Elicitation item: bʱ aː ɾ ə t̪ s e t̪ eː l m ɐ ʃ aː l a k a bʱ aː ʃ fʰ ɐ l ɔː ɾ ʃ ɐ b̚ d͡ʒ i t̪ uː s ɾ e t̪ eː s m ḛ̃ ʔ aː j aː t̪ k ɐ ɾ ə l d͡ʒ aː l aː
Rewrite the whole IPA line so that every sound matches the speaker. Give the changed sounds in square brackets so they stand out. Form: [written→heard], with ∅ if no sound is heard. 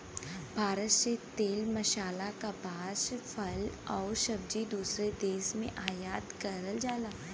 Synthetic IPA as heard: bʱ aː ɾ ə t̪ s e t̪ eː l m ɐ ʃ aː l a k a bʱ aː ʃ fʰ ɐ l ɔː ɾ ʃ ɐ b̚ d͡ʒ i [t̪→d̪] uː s ɾ e [t̪→d̪] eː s m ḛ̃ ʔ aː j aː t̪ k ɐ ɾ ə l d͡ʒ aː l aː